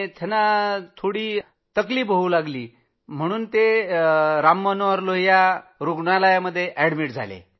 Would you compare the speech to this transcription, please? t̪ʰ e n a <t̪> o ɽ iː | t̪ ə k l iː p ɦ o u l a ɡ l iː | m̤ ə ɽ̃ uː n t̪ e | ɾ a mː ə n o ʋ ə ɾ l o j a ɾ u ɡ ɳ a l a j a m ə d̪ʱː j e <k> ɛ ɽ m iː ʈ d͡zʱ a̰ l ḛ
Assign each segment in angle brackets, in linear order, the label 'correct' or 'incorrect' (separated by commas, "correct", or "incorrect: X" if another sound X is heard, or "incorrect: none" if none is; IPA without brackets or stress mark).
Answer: incorrect: t̪ʰ, incorrect: ʔ